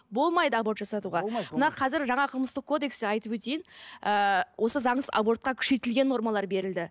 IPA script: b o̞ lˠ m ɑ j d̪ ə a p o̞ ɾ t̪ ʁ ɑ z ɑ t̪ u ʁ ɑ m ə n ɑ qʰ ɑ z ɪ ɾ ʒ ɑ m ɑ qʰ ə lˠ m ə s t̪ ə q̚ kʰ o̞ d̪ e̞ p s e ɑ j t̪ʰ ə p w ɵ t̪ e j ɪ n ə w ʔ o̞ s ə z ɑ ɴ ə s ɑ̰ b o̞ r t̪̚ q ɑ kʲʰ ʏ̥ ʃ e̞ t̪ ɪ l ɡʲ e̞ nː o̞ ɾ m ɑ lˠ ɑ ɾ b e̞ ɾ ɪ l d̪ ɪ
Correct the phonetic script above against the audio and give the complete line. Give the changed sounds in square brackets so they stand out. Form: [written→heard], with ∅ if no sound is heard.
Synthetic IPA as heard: b o̞ lˠ m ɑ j d̪ ə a [p→b] o̞ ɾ t̪ [ʁ→ʒ] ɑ [z→s] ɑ t̪ u ʁ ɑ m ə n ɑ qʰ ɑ z ɪ ɾ ʒ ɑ [m→ɴ] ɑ qʰ ə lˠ m ə s t̪ ə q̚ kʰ o̞ d̪ e̞ [p→k] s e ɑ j [t̪ʰ→t̪] ə p w ɵ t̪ e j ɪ n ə w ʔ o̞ s ə z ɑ ɴ ə s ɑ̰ b o̞ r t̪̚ q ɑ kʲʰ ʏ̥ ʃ e̞ t̪ ɪ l ɡʲ e̞ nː o̞ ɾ m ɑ lˠ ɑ ɾ b e̞ ɾ ɪ l d̪ ɪ